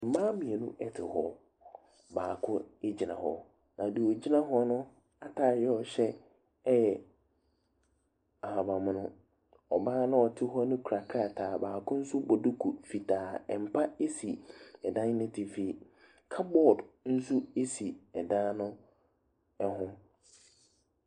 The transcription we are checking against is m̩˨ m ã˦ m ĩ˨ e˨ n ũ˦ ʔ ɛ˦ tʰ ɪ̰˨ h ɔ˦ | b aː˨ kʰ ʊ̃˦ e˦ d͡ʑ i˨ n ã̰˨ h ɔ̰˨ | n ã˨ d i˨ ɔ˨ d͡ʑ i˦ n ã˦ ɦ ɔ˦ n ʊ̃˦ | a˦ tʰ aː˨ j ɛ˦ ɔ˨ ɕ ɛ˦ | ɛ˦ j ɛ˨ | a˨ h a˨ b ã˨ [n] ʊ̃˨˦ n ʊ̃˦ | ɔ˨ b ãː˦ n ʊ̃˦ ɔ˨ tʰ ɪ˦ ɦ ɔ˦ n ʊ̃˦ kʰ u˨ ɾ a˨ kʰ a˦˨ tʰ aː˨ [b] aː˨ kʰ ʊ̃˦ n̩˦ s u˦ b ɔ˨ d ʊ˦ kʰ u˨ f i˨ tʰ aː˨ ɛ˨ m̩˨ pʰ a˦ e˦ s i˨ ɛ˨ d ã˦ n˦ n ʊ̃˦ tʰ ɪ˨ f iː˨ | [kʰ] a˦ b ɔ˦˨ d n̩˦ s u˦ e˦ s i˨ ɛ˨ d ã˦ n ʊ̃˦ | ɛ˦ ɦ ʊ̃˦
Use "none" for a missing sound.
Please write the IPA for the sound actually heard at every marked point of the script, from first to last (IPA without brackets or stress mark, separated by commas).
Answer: m, b, kʰ